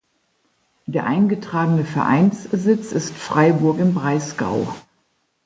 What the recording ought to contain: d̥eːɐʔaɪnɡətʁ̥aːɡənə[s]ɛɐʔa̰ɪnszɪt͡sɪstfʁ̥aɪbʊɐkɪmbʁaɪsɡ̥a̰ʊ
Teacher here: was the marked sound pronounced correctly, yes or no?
no